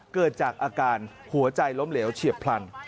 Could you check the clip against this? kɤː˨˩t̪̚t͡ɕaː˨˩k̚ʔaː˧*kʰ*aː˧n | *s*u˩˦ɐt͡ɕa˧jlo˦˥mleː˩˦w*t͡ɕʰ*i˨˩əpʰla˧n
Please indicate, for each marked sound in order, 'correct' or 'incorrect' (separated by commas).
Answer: incorrect, incorrect, correct